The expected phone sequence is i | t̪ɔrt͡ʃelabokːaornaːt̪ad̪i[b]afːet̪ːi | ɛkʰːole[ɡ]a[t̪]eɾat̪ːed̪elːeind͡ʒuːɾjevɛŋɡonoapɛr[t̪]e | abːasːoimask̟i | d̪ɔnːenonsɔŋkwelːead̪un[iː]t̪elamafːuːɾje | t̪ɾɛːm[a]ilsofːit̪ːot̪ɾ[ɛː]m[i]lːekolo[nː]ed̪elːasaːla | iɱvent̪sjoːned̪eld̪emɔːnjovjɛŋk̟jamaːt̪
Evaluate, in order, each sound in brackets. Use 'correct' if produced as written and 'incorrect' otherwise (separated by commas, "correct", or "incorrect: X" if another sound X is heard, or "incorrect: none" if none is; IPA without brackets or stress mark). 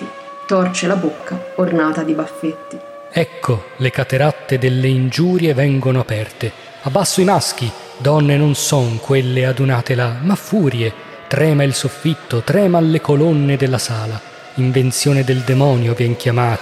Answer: correct, incorrect: k, correct, correct, incorrect: aː, correct, correct, incorrect: a, correct